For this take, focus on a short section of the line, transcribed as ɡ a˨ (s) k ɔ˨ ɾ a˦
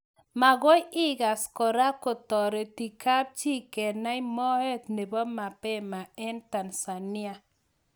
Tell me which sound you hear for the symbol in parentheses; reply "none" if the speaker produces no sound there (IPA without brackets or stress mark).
s